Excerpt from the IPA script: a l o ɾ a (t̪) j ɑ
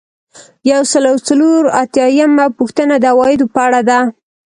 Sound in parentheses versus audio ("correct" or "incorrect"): correct